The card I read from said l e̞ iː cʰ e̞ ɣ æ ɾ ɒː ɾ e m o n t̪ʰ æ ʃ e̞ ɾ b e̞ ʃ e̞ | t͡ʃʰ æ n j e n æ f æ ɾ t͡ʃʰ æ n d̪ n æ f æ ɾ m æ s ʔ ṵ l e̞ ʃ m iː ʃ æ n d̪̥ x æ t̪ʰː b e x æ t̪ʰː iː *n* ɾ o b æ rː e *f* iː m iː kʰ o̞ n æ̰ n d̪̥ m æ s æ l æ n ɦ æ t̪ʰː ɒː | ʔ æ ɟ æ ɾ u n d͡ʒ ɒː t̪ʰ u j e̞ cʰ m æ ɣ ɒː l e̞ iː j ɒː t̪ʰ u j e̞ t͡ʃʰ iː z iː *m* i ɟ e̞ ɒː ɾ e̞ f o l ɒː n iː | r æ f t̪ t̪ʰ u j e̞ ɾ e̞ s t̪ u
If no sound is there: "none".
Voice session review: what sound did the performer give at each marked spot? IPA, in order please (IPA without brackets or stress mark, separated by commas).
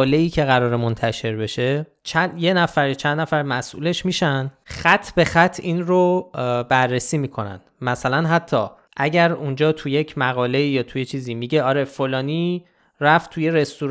n, s, m